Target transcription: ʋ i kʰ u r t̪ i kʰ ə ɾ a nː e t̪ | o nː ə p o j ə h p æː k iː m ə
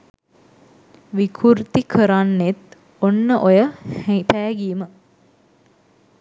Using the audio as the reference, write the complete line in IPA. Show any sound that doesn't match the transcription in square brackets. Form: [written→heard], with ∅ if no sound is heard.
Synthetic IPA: ʋ i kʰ u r t̪ i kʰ ə ɾ a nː e t̪ | o nː ə [p→ʔ] o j ə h p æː [k→ɡ] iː m ə